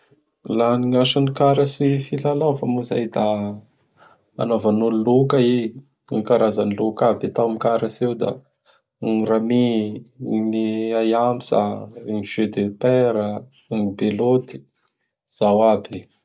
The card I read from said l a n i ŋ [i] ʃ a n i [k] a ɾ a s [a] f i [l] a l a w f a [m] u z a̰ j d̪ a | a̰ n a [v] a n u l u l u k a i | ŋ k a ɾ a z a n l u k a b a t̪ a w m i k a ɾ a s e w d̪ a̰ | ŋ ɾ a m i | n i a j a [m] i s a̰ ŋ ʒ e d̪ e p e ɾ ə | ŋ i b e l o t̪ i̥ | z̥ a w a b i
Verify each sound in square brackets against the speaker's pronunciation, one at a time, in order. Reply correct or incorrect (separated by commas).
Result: incorrect, correct, incorrect, correct, correct, correct, correct